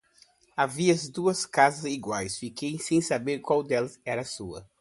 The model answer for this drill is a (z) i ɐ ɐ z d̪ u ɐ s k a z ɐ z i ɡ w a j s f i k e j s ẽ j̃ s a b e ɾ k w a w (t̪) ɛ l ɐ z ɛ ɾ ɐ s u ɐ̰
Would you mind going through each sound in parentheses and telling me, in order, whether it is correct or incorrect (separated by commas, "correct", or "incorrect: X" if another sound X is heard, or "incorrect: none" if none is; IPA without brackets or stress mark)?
incorrect: v, incorrect: d̪